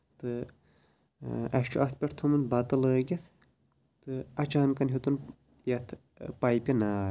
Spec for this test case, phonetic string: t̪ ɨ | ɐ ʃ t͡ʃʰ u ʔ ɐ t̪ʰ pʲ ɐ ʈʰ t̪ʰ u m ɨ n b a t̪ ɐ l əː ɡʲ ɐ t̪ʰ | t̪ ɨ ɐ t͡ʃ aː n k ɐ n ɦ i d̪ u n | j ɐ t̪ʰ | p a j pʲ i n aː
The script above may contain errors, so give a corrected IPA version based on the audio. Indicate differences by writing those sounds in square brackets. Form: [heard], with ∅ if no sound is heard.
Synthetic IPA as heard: t̪ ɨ | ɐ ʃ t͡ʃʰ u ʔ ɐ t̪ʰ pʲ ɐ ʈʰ t̪ʰ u m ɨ n b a t̪ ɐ l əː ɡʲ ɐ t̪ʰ | t̪ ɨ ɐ t͡ʃ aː n k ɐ n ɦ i [t̪] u n | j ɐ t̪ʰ | p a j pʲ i n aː

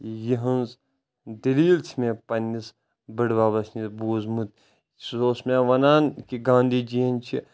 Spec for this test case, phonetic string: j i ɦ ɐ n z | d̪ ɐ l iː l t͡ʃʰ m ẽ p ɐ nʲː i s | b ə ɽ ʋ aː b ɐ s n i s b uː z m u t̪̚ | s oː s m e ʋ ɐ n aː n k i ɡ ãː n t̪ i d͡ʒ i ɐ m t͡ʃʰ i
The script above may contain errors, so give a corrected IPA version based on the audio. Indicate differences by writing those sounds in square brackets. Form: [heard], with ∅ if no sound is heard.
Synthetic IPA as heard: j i ɦ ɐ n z | d̪ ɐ l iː l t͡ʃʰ m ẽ p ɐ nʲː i s | b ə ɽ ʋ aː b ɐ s n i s b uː z m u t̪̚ | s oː s m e ʋ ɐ n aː n k i ɡ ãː n [d̪] i d͡ʒ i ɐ [n] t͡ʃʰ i

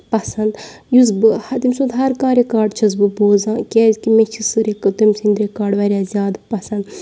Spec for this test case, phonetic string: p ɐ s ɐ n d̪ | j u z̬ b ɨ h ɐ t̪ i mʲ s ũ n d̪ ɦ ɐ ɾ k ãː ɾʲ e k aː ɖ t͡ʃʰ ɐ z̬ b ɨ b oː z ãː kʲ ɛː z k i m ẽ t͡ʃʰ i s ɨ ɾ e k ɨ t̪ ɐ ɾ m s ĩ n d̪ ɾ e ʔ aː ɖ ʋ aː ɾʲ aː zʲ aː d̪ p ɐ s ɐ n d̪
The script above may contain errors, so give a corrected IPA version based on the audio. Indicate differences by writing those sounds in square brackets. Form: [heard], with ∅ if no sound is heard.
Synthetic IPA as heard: p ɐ s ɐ n d̪ | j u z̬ b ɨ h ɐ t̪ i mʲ s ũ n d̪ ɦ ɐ ɾ k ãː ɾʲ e k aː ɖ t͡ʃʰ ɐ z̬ b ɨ b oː z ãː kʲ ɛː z k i m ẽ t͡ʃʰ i s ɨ ɾ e k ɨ t̪ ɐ [∅] m s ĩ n d̪ ɾ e [k] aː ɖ ʋ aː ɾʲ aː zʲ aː d̪ p ɐ s ɐ n d̪

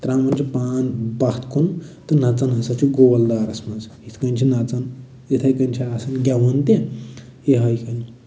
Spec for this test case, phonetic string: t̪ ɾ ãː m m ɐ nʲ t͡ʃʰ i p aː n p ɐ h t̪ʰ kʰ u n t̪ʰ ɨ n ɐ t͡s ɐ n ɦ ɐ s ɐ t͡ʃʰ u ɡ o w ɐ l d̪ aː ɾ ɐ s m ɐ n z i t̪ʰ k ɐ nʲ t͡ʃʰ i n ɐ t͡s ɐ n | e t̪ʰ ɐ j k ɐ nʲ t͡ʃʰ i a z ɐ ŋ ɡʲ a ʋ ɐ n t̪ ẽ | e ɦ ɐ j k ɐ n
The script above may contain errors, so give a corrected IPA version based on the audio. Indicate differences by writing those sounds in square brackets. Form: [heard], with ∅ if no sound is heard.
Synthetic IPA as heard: t̪ ɾ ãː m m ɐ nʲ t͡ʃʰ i p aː n [b] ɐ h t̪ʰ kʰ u n [t̪] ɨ n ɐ t͡s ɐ n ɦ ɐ s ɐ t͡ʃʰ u ɡ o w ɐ l d̪ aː ɾ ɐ s m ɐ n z i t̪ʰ k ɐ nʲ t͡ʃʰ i n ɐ t͡s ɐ n | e t̪ʰ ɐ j k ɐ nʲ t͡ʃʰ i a [s] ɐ [n] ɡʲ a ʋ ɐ n t̪ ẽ | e ɦ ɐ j k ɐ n

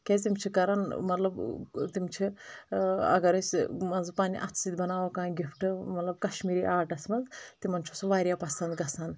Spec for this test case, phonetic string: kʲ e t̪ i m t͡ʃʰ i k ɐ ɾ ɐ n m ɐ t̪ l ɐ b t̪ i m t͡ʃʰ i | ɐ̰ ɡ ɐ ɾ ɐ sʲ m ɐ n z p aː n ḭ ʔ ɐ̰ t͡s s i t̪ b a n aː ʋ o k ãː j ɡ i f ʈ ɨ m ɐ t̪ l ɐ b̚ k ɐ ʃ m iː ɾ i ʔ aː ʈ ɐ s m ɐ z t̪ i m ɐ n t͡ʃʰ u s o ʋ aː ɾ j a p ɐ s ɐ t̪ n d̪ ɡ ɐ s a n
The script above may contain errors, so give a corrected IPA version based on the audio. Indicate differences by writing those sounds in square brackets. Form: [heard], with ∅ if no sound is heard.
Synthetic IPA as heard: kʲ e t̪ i m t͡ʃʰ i k ɐ ɾ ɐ n m ɐ t̪ l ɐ b t̪ i m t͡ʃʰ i | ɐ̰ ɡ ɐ ɾ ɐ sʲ m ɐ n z p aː n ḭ ʔ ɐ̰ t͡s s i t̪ b [ɐ] n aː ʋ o k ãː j ɡ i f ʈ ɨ m ɐ t̪ l ɐ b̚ k ɐ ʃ m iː ɾ i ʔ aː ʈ ɐ s m ɐ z t̪ i m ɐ n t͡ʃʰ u s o ʋ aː ɾ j a p ɐ s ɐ [∅] n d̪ ɡ ɐ s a n

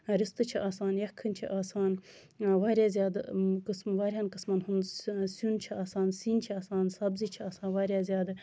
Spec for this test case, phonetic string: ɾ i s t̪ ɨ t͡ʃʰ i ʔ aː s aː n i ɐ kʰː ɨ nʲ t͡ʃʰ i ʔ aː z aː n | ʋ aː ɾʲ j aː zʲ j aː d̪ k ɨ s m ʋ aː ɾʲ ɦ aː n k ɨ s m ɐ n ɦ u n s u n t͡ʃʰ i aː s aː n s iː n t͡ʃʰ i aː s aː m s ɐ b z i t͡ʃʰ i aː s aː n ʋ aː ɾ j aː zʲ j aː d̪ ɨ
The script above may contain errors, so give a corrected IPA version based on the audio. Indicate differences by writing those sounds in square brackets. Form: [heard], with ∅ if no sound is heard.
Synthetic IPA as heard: ɾ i s t̪ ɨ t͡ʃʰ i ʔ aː s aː n [j] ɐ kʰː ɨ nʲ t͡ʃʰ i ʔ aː [s] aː n | ʋ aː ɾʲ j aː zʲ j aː d̪ k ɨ s m ʋ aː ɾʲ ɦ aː n k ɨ s m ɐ n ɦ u n s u n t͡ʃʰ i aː s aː n s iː n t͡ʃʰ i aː s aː [n] s ɐ b z i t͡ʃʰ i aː s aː n ʋ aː ɾ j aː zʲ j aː d̪ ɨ

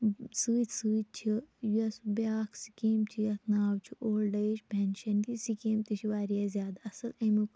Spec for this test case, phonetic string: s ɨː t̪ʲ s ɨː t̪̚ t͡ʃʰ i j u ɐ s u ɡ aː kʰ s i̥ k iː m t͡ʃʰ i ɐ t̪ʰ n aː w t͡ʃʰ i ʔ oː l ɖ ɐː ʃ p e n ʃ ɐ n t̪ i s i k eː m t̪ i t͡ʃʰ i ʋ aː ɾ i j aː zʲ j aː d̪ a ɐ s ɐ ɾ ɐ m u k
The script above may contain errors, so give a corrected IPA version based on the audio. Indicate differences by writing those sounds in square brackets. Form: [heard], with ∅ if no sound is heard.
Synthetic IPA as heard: s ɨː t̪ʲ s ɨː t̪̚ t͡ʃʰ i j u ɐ s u [b] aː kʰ s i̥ k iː m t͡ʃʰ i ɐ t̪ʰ n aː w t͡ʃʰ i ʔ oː l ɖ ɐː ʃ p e n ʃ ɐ n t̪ i s i k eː m t̪ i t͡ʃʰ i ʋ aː ɾ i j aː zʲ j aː d̪ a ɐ s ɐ [l] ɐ m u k

